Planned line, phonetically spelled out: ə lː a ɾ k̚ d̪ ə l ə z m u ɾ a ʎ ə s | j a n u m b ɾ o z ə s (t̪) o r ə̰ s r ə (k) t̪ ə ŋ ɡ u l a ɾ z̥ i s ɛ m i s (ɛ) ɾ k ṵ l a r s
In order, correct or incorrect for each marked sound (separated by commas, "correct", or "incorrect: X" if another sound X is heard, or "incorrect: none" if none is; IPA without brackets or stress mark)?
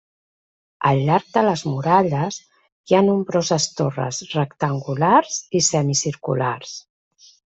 correct, correct, incorrect: i